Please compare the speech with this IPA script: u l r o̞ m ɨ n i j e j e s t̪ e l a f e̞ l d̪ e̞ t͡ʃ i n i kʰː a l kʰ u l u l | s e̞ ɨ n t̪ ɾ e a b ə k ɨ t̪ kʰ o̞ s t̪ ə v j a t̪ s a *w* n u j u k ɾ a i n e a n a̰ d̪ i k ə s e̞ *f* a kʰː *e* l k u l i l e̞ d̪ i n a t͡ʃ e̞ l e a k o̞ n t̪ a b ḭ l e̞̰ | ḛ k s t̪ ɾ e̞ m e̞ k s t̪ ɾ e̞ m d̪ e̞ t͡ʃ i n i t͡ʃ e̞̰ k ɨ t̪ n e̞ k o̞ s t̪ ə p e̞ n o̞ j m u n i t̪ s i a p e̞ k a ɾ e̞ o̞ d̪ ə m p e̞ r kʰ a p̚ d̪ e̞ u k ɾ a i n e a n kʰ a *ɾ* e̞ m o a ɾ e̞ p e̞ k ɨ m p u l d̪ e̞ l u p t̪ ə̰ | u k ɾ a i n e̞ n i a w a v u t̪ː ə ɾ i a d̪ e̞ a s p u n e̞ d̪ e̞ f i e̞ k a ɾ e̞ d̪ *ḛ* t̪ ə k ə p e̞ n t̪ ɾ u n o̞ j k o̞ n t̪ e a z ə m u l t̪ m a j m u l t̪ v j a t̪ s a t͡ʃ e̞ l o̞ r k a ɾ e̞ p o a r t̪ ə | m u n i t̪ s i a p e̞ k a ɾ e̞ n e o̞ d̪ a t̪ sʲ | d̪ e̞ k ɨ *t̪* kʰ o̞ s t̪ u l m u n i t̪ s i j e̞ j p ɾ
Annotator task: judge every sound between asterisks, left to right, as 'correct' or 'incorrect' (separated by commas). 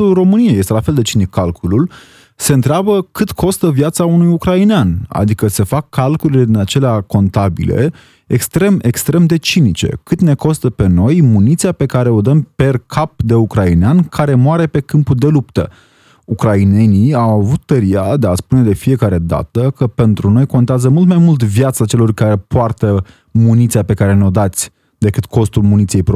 incorrect, correct, incorrect, correct, incorrect, correct